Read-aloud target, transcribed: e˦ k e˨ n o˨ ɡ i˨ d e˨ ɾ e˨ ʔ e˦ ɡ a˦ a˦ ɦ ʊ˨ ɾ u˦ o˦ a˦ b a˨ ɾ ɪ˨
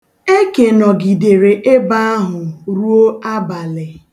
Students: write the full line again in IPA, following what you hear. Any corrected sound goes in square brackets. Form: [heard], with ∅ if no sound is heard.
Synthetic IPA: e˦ k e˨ n [ɔ˨] ɡ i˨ d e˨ ɾ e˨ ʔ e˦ [b] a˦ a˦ ɦ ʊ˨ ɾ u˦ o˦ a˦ b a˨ [l] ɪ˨